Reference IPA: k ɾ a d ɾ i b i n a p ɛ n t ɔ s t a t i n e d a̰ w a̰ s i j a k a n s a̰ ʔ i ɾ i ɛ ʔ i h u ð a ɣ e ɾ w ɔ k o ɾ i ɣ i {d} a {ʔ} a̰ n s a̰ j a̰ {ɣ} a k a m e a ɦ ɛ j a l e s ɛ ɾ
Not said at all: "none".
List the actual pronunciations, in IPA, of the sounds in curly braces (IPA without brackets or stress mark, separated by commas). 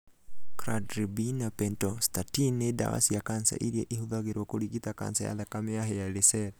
t, k, ð